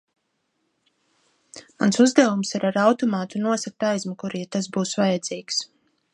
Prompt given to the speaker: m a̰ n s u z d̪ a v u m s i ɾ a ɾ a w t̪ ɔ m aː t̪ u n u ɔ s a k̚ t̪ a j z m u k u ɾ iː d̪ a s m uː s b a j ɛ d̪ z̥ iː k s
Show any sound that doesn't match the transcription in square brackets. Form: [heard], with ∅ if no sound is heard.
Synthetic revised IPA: m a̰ n s u z d̪ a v u m s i ɾ a ɾ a w t̪ ɔ m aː t̪ u n u ɔ s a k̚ t̪ a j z m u k u ɾ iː [t̪] a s [b] uː s [v] a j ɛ d̪ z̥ iː k s